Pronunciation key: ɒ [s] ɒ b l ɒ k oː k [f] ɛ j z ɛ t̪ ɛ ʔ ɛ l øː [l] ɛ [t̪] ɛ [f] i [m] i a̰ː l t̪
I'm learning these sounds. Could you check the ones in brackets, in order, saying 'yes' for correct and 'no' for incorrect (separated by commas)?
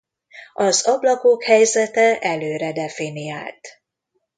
no, no, no, no, yes, no